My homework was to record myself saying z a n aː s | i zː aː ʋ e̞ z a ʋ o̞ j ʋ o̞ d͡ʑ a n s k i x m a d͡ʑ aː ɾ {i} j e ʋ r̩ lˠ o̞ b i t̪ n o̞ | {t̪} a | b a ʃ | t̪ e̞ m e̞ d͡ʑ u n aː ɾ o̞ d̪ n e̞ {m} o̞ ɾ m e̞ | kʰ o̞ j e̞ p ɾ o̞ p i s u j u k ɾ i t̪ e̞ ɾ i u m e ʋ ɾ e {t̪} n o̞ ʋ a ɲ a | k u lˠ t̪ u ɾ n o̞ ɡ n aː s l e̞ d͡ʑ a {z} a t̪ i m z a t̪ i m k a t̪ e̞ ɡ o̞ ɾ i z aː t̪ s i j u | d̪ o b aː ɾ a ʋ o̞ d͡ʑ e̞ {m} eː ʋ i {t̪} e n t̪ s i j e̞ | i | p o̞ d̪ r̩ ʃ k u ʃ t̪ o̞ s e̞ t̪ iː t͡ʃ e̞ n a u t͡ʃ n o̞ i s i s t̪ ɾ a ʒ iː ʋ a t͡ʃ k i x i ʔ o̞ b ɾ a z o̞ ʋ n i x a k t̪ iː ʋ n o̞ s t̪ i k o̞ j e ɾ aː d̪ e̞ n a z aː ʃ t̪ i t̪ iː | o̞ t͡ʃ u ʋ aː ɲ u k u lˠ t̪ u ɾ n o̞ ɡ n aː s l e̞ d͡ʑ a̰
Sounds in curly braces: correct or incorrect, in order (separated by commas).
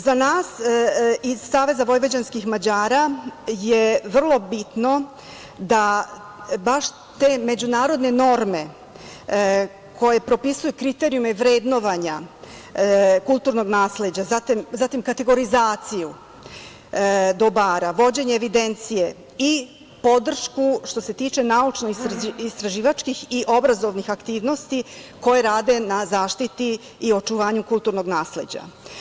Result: incorrect, incorrect, incorrect, incorrect, correct, incorrect, incorrect